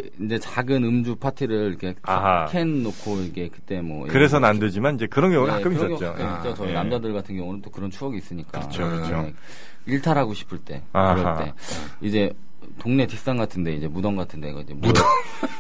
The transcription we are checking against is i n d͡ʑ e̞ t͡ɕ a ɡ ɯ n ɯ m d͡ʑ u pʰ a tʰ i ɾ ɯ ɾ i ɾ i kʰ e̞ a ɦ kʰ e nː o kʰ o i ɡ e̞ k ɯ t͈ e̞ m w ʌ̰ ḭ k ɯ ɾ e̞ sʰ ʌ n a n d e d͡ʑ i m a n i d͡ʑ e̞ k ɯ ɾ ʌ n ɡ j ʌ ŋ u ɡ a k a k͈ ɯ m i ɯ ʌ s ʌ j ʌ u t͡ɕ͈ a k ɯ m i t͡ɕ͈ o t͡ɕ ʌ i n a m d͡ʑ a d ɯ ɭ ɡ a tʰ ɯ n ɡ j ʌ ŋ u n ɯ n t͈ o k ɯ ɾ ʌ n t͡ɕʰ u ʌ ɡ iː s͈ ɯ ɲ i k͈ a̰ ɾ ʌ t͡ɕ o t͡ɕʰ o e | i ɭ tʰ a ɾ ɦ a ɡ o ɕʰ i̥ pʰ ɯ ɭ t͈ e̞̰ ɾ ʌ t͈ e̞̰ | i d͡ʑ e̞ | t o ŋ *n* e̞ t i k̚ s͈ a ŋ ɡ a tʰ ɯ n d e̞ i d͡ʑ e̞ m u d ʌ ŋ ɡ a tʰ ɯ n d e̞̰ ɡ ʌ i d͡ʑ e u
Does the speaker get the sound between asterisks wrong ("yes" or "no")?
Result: no